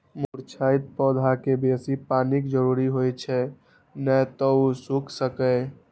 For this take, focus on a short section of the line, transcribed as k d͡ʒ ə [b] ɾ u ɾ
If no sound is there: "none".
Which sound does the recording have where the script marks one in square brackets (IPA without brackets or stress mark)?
none